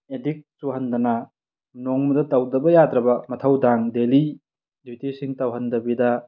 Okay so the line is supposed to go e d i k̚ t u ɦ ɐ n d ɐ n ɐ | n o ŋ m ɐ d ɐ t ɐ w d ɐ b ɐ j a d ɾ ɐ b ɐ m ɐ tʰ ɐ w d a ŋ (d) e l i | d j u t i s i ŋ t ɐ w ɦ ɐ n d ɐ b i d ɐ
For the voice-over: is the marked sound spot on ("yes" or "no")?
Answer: yes